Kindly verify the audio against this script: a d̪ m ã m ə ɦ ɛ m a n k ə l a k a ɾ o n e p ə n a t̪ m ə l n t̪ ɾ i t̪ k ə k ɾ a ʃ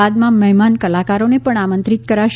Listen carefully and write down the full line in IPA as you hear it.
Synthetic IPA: a d̪ m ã m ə ɦ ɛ m a n k ə l a k a ɾ o n e p ə ɳ a m ə n t̪ ɾ i t̪ k ə ɾ a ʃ